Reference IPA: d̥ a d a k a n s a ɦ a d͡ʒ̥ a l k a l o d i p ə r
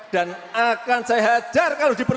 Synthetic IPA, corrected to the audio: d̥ a n a k a n s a ɦ a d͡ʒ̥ a r k a l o d i p ə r